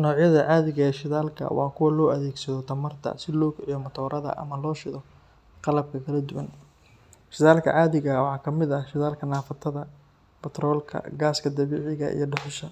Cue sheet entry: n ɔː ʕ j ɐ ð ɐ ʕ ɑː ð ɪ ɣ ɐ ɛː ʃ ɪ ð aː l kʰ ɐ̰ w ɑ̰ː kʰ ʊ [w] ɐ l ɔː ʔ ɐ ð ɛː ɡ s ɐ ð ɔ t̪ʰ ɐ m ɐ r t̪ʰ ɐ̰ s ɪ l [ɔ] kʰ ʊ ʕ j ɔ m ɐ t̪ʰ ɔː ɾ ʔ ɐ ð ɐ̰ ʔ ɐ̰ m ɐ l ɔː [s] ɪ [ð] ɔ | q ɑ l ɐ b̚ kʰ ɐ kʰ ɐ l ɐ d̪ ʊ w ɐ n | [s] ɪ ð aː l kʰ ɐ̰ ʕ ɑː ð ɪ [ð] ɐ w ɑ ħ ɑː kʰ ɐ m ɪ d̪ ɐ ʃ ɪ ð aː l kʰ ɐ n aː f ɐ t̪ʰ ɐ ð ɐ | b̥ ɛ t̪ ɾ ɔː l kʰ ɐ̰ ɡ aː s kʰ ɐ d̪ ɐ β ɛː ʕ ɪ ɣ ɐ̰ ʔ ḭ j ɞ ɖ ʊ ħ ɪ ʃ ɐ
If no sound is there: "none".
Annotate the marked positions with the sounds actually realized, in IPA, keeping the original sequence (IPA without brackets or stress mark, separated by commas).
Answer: w, ɔː, ʃ, ð, ʃ, ɣ